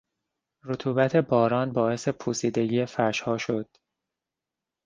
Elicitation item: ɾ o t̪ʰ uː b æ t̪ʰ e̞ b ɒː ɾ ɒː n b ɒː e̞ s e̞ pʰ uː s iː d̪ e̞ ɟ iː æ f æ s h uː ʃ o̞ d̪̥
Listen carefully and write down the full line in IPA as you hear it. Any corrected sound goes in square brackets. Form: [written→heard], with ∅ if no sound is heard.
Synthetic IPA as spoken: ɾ o t̪ʰ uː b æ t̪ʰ e̞ b ɒː ɾ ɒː n b ɒː e̞ s e̞ pʰ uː s iː d̪ e̞ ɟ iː [æ→e] f æ [s→ʃ] h [uː→ɒː] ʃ o̞ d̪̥